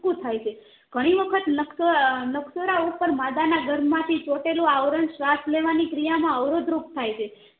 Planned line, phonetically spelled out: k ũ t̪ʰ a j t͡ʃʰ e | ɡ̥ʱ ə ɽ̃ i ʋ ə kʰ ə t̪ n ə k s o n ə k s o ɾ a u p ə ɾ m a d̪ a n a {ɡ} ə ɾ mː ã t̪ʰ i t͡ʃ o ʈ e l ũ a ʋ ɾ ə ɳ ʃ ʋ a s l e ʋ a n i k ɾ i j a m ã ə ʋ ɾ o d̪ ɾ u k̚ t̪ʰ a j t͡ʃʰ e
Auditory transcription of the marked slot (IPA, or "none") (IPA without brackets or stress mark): ɡ